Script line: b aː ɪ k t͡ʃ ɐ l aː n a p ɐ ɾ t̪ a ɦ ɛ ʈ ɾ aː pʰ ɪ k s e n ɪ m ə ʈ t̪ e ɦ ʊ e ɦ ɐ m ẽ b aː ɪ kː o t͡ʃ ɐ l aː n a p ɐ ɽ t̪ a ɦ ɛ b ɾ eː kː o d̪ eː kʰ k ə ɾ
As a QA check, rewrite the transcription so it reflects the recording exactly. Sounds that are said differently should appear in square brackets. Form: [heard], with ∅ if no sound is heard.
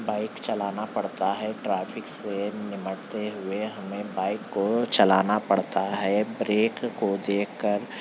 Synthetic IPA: b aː ɪ k t͡ʃ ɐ l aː n a p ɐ [ɽ] t̪ a ɦ ɛ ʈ ɾ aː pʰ ɪ k s e n ɪ m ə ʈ t̪ e ɦ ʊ e ɦ ɐ m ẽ b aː ɪ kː o t͡ʃ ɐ l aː n a p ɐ ɽ t̪ a ɦ ɛ b ɾ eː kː o d̪ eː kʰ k ə ɾ